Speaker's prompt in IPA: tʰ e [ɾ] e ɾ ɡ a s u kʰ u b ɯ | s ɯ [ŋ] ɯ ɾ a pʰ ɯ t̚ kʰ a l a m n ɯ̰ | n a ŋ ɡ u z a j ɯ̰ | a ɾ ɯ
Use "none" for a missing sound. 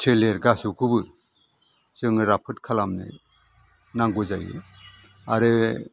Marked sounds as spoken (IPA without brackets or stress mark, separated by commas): l, ŋ